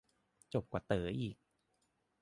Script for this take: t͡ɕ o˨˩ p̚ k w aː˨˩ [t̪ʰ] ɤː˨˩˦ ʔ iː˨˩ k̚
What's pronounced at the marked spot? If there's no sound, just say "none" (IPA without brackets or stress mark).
t̪